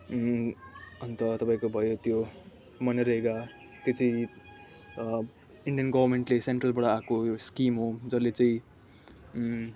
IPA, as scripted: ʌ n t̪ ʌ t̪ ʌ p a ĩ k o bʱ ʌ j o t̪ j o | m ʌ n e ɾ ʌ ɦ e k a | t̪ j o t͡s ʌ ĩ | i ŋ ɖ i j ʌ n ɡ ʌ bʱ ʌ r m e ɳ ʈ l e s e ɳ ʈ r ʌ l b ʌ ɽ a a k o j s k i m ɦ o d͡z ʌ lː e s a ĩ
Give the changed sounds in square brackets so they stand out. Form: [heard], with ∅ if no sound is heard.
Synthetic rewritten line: ʌ n t̪ ʌ t̪ ʌ p a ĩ k o bʱ ʌ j o t̪ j o | m ʌ n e ɾ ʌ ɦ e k a | t̪ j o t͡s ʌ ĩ | i [ɳ] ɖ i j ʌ n ɡ ʌ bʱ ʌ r m e ɳ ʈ l e s e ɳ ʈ r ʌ l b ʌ ɽ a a k o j s k i m ɦ o d͡z ʌ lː e [t͡s] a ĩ